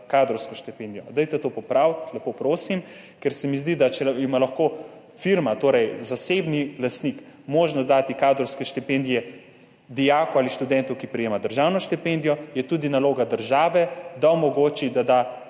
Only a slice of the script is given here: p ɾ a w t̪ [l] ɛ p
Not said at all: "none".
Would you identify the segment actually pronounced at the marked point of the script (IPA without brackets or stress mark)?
l